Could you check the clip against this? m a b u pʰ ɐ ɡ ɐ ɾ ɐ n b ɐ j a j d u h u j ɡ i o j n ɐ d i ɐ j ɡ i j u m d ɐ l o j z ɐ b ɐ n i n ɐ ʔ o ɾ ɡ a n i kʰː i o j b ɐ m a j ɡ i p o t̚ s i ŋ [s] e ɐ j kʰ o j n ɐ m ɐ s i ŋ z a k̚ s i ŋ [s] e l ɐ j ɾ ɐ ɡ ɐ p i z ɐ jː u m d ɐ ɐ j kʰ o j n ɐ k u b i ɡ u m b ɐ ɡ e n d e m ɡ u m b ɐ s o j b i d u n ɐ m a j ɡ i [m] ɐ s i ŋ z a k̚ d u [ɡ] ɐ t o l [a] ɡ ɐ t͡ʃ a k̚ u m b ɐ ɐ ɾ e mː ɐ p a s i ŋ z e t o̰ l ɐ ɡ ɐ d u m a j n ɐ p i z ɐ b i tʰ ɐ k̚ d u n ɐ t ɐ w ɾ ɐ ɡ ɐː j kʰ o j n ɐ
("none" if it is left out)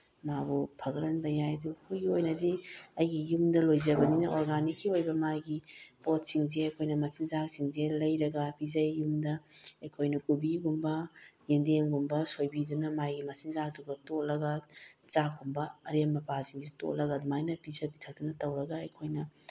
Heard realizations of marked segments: z, z, m, ɡ, ɐ

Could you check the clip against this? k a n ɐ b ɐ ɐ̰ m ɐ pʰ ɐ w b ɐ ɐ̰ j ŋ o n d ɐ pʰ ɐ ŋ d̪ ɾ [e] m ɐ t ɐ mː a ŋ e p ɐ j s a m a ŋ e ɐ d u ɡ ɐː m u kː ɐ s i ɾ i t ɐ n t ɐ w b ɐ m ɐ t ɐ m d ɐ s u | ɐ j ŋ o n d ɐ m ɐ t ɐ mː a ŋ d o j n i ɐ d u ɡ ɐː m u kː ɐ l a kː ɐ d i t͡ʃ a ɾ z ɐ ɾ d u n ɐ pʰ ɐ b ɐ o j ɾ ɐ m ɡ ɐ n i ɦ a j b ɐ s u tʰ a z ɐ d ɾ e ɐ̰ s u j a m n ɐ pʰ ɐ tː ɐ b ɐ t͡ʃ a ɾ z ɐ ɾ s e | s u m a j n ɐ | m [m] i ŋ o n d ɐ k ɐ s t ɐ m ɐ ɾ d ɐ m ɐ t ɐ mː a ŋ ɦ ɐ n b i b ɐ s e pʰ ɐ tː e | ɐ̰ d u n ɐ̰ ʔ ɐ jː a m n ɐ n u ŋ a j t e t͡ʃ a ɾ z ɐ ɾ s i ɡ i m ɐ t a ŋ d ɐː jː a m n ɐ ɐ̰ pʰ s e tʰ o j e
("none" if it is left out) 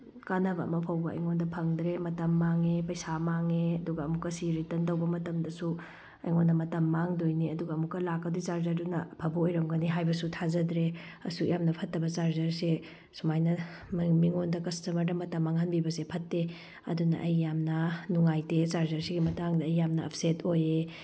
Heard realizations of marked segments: e, m

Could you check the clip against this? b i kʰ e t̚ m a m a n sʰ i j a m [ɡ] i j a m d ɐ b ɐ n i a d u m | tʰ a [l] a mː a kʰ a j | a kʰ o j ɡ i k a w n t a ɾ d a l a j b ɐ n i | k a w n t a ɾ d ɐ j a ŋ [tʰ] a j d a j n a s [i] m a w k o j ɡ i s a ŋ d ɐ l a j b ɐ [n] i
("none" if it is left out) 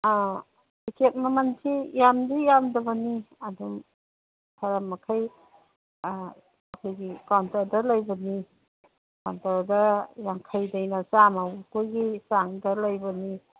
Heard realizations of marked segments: d, ɾ, kʰ, a, n

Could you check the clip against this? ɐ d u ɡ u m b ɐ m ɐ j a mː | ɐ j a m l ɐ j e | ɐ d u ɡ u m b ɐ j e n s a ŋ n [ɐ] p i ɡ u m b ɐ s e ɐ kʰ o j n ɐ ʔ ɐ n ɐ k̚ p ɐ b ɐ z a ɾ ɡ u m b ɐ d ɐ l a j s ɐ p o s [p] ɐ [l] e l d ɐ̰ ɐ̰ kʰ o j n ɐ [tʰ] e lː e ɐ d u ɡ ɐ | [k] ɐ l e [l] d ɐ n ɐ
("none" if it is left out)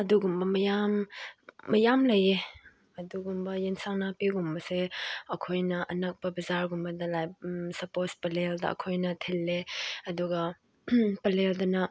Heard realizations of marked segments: a, p, l, tʰ, p, l

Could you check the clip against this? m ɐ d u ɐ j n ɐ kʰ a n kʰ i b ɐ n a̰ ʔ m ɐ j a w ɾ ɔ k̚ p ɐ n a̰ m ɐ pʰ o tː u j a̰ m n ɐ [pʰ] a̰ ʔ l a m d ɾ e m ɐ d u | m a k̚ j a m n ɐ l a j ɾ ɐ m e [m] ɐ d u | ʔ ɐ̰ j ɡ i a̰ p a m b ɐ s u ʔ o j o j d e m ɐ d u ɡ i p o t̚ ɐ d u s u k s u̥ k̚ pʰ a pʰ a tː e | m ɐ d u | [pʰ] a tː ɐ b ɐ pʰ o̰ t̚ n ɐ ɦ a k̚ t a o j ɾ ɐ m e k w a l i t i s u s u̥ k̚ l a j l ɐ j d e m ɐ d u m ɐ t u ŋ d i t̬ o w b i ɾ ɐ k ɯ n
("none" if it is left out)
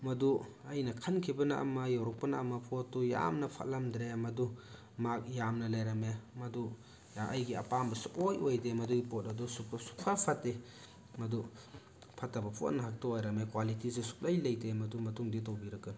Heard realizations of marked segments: pʰ, m, pʰ

